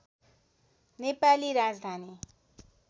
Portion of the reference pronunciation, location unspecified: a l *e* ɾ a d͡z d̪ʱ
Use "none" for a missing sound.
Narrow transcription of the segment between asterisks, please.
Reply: i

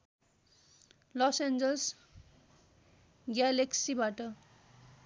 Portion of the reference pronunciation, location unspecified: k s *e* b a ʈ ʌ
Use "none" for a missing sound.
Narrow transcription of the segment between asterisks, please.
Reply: i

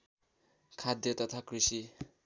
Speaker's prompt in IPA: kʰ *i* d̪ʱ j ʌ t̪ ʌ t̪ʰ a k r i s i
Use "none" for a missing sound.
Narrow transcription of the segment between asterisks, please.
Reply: a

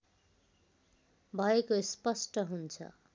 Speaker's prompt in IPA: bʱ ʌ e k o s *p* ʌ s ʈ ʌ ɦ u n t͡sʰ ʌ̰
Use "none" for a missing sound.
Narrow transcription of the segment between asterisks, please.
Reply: p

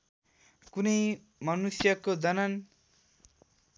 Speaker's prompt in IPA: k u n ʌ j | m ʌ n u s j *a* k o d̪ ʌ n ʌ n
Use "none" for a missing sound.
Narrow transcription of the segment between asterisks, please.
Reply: ʌ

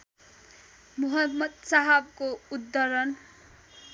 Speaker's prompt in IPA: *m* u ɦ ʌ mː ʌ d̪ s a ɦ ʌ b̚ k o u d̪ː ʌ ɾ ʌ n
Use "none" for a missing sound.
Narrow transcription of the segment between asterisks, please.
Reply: m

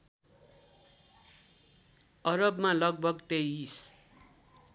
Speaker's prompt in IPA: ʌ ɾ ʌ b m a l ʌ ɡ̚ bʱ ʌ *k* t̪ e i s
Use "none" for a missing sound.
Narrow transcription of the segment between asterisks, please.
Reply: ɡ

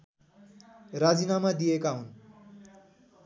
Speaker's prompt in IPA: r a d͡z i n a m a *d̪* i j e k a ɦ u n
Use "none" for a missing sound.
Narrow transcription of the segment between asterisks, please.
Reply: d̪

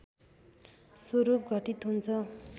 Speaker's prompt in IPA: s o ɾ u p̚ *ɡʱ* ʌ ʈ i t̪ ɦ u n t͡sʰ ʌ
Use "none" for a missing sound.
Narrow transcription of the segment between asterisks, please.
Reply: ɡʱ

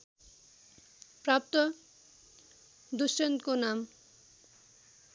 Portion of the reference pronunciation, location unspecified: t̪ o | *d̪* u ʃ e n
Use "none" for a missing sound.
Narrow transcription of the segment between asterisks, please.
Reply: d̪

